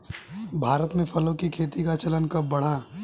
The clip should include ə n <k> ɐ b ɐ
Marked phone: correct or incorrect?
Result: correct